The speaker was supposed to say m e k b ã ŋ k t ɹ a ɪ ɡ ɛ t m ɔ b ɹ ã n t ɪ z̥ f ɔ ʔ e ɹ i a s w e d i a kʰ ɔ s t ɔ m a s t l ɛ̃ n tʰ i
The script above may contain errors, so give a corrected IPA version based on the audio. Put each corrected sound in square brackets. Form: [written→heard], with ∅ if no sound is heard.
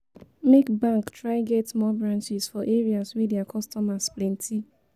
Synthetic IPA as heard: m e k b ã ŋ k t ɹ a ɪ ɡ ɛ t m ɔ b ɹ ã n [t→t͡ʃ] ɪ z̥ f ɔ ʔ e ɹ i a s w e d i a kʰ ɔ s t ɔ m a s [t→p] l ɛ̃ n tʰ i